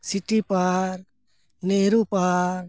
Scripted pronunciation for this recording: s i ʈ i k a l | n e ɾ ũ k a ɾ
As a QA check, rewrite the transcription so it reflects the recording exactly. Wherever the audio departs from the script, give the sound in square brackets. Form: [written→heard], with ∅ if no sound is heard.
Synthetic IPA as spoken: s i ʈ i [k→p] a [l→ɾ] | n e ɾ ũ [k→p] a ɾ